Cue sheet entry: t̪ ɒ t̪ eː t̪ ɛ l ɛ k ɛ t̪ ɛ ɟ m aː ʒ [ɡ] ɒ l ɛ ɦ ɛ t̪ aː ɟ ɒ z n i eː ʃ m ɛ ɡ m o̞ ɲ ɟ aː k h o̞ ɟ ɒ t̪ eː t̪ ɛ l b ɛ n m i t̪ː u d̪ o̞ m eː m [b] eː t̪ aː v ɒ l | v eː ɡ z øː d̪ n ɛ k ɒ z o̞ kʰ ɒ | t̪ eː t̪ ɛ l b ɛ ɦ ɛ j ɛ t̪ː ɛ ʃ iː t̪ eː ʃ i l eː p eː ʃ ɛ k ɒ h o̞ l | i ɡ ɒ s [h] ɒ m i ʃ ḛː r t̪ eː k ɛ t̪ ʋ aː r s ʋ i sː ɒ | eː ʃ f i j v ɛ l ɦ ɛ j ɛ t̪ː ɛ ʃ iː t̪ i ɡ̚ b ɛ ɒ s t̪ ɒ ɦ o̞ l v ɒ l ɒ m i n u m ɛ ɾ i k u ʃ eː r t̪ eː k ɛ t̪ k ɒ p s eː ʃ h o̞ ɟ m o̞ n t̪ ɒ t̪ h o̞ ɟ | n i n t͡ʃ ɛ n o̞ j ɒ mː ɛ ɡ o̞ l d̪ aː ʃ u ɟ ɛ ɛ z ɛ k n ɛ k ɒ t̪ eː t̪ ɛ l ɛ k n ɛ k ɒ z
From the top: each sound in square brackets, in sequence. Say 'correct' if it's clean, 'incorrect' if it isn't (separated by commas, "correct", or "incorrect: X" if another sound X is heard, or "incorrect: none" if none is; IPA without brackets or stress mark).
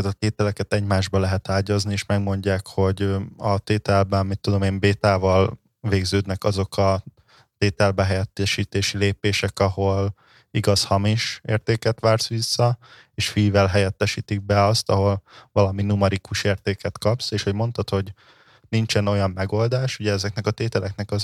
incorrect: b, correct, correct